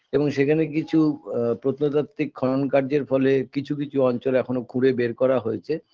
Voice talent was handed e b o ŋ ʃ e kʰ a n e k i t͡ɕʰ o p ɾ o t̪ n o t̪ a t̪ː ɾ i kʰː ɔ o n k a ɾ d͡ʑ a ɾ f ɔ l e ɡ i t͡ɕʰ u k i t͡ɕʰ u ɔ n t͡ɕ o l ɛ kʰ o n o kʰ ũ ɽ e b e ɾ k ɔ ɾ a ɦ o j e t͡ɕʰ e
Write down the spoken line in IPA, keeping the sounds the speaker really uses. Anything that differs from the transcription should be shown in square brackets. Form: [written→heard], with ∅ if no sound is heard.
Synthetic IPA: e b o ŋ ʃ e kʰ a n e k i t͡ɕʰ [o→u] p ɾ o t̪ n o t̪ a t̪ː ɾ i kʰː ɔ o n k a ɾ d͡ʑ [a→e] ɾ f ɔ l e [ɡ→k] i t͡ɕʰ u k i t͡ɕʰ u ɔ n t͡ɕ o l ɛ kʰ o n o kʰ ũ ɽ e b e ɾ k ɔ ɾ a ɦ o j e t͡ɕʰ e